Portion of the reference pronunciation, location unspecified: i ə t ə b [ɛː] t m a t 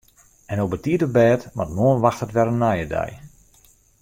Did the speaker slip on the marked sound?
no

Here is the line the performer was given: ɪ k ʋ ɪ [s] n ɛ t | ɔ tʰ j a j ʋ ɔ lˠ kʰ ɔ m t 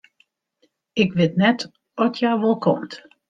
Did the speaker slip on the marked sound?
yes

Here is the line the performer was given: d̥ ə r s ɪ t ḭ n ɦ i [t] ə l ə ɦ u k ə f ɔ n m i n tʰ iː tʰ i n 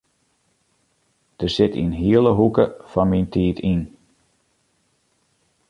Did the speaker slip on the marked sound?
yes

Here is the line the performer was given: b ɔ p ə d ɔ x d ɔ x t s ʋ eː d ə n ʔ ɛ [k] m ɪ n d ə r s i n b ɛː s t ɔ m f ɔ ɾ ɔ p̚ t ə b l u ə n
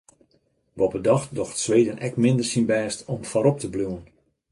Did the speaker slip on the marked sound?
no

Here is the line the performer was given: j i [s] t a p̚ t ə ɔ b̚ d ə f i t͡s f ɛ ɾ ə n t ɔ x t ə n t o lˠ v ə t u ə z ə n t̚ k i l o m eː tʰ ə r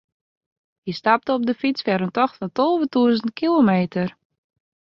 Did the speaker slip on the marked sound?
no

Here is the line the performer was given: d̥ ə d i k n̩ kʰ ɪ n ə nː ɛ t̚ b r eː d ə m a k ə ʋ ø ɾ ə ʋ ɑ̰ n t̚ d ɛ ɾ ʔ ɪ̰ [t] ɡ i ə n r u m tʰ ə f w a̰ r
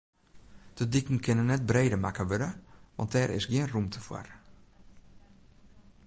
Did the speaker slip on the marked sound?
yes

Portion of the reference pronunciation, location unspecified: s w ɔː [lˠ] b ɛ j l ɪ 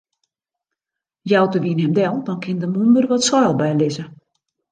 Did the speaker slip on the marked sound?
no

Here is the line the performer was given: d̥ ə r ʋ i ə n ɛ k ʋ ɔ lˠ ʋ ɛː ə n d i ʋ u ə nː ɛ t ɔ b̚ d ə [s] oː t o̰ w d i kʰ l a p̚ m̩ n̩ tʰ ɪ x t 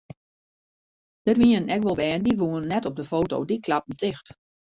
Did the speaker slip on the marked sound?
yes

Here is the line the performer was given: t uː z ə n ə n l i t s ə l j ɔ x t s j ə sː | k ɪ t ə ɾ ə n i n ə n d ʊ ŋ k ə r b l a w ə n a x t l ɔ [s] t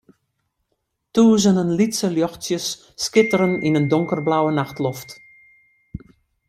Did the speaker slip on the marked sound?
yes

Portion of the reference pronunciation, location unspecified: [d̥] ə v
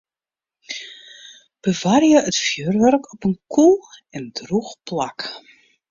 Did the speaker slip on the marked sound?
yes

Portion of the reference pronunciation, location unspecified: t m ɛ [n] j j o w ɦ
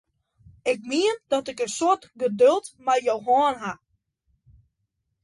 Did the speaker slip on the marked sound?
yes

